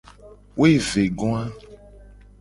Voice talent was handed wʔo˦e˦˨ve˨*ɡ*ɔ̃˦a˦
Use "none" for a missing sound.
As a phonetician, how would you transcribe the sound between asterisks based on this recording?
ɡ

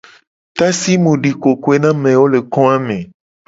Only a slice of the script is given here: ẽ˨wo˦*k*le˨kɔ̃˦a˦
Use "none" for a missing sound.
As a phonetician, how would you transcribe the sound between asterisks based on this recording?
none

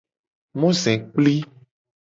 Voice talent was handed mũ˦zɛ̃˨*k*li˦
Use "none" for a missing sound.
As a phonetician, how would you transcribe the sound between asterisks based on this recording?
k͡p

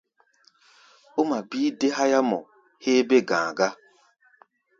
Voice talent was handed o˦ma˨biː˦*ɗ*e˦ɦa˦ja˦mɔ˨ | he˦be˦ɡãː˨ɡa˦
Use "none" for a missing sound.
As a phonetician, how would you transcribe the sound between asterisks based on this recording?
d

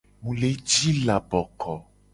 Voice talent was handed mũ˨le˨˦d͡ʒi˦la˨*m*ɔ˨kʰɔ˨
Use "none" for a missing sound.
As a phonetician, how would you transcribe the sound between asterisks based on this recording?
b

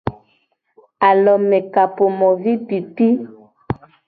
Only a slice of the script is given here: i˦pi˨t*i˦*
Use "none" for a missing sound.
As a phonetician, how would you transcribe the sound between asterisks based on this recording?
i˦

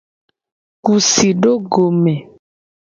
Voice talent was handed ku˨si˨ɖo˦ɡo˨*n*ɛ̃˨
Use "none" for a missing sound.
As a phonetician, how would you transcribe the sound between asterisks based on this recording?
m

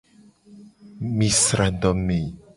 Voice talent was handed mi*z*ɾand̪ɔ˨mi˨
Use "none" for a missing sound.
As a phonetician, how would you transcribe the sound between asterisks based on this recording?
s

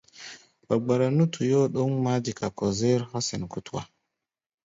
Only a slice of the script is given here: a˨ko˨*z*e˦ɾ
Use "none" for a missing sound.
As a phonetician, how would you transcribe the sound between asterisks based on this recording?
z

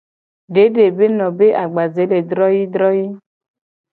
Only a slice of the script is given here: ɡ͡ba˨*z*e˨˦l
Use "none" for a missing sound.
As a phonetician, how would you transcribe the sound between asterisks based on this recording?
z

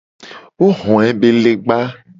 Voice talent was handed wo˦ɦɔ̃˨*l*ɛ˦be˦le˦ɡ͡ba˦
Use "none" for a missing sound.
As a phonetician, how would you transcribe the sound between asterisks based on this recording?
none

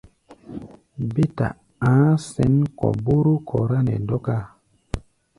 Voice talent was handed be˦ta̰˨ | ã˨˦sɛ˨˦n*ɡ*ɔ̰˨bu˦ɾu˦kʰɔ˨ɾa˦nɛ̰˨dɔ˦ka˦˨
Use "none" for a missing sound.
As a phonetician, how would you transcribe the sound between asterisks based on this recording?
k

